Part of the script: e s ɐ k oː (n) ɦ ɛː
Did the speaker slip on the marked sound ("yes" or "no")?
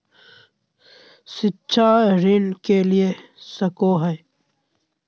yes